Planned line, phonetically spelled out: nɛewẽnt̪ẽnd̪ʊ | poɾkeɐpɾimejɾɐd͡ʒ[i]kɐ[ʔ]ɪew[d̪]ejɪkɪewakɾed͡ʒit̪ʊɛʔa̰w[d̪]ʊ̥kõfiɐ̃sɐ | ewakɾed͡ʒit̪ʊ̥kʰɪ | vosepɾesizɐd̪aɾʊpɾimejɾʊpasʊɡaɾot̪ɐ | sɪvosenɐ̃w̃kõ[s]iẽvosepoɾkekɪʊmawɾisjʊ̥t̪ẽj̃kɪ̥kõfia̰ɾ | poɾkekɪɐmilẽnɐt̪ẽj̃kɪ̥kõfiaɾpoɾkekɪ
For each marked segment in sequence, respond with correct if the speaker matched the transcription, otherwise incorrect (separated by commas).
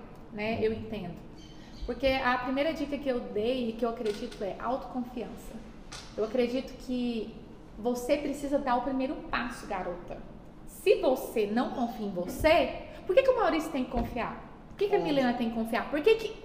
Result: correct, incorrect, correct, incorrect, incorrect